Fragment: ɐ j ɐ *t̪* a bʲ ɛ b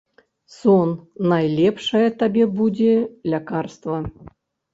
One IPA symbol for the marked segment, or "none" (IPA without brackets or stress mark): t̪